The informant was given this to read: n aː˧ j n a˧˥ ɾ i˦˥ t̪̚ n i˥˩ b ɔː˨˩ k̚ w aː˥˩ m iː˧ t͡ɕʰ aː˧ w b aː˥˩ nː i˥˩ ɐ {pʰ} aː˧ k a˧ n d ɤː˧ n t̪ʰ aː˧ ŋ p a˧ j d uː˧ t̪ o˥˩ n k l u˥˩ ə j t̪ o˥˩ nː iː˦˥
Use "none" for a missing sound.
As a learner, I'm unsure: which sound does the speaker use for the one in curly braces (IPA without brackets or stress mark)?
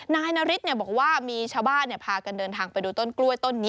pʰ